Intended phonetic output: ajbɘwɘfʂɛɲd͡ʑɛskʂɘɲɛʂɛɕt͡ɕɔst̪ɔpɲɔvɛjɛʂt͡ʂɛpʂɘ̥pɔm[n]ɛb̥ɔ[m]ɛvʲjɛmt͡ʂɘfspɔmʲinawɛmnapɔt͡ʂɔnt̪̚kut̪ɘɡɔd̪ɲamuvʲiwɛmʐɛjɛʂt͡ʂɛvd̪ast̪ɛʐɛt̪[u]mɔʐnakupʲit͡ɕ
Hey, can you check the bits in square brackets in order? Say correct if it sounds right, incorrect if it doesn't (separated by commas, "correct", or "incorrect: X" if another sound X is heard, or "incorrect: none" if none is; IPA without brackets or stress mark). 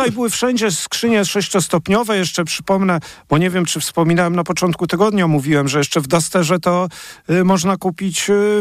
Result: correct, incorrect: ɲ, incorrect: ɔ